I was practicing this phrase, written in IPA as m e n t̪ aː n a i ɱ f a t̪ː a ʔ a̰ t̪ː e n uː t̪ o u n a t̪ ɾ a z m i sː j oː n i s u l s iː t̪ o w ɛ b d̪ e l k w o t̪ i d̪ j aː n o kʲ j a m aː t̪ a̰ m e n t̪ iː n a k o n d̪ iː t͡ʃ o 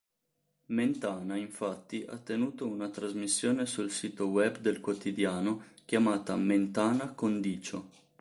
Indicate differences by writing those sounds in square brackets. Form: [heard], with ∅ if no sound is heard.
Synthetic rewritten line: m e n t̪ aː n a i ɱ f a t̪ː [i] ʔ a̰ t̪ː e n uː t̪ o u n a t̪ ɾ a z m i sː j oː n [e] s u l s iː t̪ o w ɛ b d̪ e l k w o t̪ i d̪ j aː n o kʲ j a m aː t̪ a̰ m e n t̪ [aː] n a k o n d̪ iː t͡ʃ o